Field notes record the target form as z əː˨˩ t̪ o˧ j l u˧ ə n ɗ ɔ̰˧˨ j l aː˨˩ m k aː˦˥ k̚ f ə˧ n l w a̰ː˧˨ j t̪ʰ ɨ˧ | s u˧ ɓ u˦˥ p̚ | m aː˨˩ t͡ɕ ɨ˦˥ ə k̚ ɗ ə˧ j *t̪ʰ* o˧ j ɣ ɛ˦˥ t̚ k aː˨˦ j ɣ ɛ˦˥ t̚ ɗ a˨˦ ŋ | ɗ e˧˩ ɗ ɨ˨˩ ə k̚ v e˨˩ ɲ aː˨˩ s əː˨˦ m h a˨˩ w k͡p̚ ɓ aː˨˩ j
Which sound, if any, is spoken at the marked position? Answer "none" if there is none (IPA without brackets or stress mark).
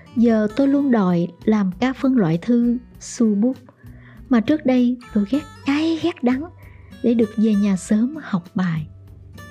t̪